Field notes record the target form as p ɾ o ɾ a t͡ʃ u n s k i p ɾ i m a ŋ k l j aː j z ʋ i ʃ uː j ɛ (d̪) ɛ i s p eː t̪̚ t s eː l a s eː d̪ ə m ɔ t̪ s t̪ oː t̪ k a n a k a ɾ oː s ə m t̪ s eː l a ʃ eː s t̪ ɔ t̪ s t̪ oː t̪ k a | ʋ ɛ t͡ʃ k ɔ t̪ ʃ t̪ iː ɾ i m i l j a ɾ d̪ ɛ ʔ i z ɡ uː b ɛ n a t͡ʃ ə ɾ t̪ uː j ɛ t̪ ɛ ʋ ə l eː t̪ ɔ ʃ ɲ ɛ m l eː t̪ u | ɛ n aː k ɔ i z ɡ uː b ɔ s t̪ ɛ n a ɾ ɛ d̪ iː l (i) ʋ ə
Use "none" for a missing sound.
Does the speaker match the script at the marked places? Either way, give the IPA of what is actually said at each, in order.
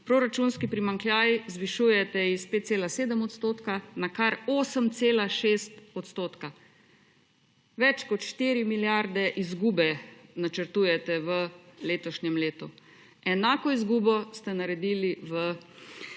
t̪, i

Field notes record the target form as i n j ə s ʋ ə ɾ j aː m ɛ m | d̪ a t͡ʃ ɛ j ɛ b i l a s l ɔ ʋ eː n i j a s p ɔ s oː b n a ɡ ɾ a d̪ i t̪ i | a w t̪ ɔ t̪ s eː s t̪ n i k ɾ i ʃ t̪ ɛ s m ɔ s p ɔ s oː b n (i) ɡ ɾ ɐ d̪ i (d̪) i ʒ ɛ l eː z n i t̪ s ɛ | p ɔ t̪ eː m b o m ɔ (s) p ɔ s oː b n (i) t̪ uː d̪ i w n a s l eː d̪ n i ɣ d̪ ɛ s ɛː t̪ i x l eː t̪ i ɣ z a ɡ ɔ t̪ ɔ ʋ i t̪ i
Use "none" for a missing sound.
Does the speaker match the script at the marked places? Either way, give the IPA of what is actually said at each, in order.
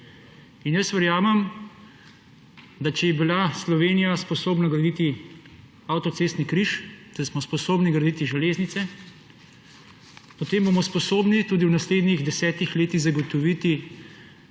i, t̪, s, i

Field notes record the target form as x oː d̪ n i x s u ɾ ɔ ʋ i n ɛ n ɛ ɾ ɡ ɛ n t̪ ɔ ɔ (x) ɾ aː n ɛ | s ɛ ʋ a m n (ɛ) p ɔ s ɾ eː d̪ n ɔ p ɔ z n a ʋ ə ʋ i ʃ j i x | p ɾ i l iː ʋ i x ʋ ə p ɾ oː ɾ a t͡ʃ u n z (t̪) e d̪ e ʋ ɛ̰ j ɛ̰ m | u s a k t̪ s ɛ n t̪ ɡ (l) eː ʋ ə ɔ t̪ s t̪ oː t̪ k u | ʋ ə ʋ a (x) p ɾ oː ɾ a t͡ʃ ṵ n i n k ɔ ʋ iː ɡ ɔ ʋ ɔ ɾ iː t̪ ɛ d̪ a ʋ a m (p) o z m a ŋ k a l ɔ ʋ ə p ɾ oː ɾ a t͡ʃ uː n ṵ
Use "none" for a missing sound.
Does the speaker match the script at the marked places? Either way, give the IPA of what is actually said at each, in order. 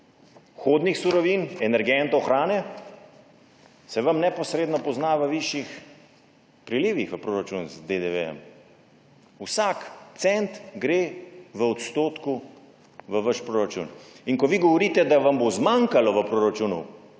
x, ɛ, d̪, ɾ, ʃ, b

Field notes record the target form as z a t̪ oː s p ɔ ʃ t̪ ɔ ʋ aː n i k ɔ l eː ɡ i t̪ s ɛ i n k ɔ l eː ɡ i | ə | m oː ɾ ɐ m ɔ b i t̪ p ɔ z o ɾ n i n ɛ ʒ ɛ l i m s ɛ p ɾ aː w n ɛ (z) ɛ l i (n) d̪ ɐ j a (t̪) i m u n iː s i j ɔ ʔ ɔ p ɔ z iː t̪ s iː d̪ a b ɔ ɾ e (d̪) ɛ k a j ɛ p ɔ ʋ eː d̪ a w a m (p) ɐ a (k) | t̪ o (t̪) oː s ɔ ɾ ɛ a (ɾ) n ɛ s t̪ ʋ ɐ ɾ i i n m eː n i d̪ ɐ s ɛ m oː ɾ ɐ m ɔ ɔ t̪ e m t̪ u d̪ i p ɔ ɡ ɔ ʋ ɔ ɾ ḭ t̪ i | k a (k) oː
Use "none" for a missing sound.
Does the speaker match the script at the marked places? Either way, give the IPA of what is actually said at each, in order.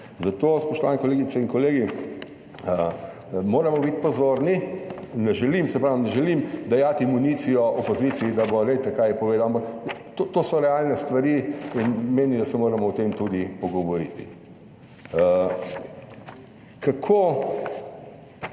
ʒ, m, t̪, t̪, p, k, t̪, l, kʰ

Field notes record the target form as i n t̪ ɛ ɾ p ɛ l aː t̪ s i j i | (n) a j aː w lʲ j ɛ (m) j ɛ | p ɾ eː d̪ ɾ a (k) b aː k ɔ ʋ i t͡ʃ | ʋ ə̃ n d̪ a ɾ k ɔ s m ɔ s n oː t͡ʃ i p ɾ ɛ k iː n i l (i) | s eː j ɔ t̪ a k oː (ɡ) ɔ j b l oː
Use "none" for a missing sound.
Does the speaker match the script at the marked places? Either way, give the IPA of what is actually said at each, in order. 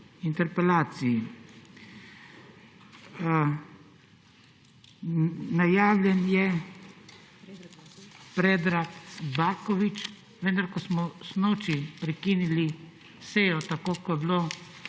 n, n, k, i, k

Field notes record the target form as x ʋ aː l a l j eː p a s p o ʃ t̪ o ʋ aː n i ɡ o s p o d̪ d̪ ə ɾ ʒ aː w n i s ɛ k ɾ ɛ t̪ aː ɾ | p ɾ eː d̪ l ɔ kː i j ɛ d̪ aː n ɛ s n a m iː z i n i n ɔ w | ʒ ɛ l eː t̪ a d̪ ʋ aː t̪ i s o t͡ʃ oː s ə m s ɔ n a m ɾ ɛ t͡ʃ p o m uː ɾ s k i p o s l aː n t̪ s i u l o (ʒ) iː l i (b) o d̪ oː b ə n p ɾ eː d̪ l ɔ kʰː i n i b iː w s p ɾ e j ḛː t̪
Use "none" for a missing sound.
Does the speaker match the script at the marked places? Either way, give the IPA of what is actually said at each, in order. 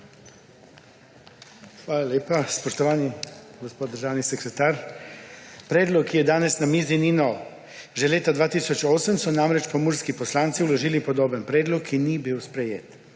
ʒ, p

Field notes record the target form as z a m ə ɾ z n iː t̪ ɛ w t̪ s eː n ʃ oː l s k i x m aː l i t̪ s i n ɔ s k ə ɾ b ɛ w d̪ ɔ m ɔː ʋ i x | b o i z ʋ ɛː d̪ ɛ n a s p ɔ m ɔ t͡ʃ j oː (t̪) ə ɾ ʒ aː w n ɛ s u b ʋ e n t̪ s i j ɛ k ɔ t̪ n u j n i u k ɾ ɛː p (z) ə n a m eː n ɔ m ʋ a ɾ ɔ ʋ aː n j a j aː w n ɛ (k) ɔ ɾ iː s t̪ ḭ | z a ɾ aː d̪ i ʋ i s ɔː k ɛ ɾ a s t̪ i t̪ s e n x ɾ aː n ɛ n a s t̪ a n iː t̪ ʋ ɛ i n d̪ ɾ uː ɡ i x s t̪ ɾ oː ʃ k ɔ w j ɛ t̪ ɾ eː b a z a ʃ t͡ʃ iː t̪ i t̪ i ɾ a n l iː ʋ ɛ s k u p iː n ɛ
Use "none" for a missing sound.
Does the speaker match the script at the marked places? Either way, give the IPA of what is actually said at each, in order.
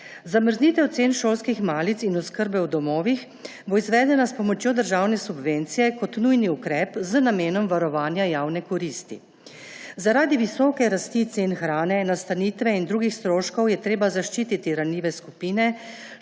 d̪, z, k

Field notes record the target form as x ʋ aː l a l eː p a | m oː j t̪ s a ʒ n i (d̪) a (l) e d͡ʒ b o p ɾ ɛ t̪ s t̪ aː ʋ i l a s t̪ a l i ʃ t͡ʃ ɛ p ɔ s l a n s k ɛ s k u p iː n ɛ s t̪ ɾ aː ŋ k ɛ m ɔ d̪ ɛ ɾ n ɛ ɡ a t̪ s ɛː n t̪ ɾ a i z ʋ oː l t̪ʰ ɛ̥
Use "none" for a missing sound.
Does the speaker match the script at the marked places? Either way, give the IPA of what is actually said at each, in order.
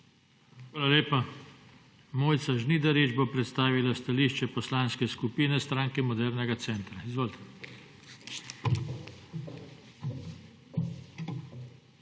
d̪, ɾ

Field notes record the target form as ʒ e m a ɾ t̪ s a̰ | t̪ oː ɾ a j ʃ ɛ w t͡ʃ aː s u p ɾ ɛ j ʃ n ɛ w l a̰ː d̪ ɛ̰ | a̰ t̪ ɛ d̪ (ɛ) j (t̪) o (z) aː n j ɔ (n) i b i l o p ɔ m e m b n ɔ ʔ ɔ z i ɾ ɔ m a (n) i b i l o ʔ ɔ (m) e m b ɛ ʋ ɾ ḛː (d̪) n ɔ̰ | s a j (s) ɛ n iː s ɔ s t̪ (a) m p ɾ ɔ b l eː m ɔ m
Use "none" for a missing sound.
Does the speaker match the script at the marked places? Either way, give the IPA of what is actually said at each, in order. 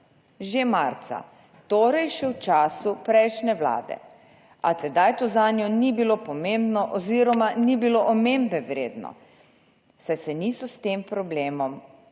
a, t̪, z, n, n, m, d̪, s, e

